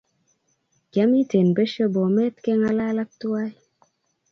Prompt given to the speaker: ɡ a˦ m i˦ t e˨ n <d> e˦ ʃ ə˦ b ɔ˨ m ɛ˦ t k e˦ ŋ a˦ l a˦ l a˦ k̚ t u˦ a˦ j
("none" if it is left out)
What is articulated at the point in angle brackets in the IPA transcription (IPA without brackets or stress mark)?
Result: b